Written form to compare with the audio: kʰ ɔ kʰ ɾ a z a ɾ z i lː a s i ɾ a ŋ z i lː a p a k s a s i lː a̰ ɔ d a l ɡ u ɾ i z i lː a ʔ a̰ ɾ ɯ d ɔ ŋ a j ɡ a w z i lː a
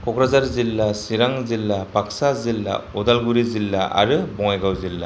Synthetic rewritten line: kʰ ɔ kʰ ɾ a z a ɾ z i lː a s i ɾ a ŋ z i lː a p a k s a z i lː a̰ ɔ d a l ɡ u ɾ i z i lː a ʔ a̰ ɾ ɯ b ɔ ŋ a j ɡ a w z i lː a